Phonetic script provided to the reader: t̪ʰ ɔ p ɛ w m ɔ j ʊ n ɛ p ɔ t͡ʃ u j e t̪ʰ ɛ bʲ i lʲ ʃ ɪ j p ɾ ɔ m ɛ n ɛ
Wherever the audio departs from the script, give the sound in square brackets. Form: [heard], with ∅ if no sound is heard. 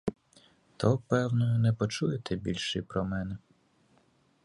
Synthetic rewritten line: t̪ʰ ɔ p ɛ w [n] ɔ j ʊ n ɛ p ɔ t͡ʃ u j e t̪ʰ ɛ bʲ i lʲ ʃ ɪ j p ɾ ɔ m ɛ n ɛ